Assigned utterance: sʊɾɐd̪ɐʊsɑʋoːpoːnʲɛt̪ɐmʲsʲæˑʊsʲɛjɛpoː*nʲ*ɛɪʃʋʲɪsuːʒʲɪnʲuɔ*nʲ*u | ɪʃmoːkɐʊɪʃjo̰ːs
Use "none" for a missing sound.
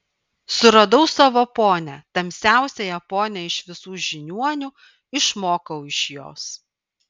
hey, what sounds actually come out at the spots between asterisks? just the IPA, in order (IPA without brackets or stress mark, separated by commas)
nʲ, nʲ